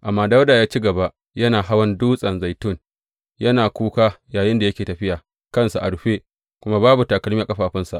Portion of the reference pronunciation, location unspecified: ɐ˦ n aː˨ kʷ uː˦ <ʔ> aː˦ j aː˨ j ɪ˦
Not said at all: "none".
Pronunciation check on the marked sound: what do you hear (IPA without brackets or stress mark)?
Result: k